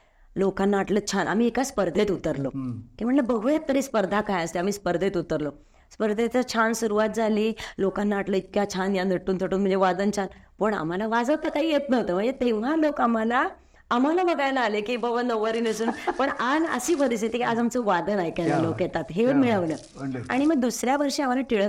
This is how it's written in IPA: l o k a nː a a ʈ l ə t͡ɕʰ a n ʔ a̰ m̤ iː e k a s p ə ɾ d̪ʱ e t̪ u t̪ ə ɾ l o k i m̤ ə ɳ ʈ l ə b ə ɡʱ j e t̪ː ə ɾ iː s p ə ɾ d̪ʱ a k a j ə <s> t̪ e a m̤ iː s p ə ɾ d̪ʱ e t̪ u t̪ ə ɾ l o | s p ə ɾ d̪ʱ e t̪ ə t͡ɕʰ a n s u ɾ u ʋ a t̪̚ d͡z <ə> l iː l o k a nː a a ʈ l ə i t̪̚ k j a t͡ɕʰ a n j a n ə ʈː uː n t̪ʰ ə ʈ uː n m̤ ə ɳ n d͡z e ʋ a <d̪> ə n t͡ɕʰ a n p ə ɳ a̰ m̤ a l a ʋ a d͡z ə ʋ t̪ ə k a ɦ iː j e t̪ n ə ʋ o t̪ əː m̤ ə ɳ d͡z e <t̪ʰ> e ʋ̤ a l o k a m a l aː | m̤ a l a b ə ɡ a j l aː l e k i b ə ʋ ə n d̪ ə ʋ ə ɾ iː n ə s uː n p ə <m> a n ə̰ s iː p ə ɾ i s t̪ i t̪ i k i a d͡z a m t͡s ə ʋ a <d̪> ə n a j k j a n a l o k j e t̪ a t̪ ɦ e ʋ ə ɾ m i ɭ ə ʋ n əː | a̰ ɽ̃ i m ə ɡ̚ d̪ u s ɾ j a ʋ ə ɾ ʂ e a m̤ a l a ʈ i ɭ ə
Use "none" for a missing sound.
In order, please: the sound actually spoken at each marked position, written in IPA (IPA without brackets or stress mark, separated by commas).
s, a, d̪, t̪, ɳ, d̪